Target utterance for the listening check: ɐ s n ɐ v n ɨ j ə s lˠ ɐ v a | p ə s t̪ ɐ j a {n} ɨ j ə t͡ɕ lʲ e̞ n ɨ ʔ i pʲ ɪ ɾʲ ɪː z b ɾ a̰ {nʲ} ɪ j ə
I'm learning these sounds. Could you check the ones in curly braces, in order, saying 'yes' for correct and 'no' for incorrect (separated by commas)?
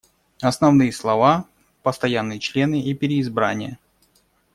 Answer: no, yes